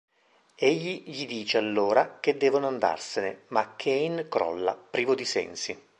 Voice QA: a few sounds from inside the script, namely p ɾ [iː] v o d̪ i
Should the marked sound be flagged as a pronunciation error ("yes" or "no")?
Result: no